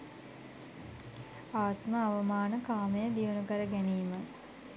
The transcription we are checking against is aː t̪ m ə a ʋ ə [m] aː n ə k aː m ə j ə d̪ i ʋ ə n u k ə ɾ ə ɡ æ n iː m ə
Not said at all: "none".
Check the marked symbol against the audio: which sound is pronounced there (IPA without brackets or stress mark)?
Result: m